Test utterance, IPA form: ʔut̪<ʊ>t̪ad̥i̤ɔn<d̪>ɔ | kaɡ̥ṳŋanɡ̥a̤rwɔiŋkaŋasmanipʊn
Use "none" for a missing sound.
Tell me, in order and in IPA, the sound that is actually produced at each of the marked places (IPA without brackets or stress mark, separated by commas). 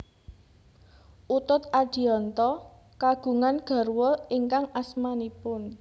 ʊ, t̪